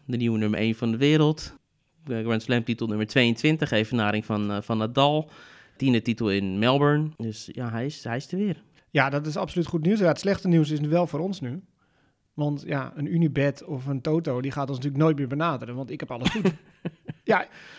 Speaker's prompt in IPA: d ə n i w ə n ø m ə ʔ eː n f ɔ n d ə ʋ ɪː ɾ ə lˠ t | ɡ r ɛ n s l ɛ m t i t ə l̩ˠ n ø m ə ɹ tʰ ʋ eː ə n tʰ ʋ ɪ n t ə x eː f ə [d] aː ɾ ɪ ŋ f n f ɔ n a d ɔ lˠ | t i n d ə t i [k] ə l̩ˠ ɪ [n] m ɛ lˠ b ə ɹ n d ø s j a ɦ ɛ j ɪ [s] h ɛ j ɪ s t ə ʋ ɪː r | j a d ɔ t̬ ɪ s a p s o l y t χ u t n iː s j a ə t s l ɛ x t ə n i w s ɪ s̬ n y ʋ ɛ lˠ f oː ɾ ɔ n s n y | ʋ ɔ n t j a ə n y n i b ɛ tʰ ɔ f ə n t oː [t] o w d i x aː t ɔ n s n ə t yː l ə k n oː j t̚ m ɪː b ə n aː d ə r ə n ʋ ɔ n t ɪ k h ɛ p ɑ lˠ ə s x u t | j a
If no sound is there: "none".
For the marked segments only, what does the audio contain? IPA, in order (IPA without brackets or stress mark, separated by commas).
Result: n, t, n, s, t